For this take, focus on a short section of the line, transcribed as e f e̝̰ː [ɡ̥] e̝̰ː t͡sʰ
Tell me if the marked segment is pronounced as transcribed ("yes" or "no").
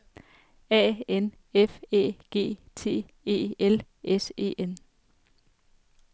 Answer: yes